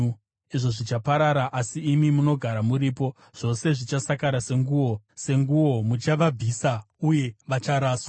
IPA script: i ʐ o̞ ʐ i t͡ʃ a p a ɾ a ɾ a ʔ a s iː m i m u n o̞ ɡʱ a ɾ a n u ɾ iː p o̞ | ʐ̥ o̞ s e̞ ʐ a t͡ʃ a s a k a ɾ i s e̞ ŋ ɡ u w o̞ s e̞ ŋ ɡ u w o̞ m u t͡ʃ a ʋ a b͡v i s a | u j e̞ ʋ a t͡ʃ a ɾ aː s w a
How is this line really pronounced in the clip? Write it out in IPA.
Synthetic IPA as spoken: i ʐ o̞ ʐ i t͡ʃ a p a ɾ a ɾ a ʔ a s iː m i m u n o̞ ɡʱ a ɾ a m u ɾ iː p o̞ | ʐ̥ o̞ s e̞ ʐ i t͡ʃ a s a k a ɾ a s e̞ ŋ ɡ u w o̞ s e̞ ŋ ɡ u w o̞ m u t͡ʃ a ʋ a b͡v i s a | u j e̞ ʋ a t͡ʃ a ɾ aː s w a